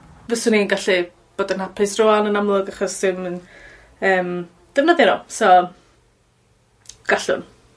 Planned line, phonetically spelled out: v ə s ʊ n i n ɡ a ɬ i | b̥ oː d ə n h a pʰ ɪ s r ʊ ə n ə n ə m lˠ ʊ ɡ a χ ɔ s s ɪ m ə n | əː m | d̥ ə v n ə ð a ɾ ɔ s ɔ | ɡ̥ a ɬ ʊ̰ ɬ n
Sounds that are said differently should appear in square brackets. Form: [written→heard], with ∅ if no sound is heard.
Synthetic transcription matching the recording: v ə s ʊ n i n ɡ a ɬ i | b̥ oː d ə n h a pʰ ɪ s r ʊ [ə→a] n ə n [ə→a] m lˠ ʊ ɡ a χ ɔ s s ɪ m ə n | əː m | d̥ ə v n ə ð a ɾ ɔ s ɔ | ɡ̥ a ɬ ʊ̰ [ɬ→∅] n